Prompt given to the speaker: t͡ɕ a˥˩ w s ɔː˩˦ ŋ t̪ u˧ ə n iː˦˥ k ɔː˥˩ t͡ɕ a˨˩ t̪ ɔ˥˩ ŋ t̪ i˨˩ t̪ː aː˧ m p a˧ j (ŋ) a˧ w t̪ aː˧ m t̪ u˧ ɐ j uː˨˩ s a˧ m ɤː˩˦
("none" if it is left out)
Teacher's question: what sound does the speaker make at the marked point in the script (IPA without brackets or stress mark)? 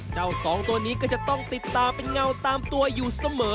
ŋ